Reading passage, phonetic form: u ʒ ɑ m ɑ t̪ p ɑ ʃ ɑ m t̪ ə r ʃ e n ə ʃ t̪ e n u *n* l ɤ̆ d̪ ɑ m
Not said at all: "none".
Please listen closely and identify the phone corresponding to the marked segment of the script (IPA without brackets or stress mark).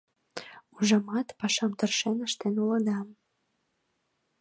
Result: none